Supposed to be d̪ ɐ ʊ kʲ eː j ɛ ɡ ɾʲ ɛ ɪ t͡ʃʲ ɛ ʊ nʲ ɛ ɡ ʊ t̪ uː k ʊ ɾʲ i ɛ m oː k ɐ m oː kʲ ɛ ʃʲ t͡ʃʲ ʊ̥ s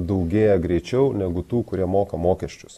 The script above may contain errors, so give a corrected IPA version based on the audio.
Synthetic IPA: d̪ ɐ ʊ ɡʲ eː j ɛ ɡ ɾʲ ɛ ɪ t͡ʃʲ ɛ ʊ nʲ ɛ ɡ ʊ t̪ uː k ʊ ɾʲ i ɛ m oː k ɐ m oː kʲ ɛ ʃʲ t͡ʃʲ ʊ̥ s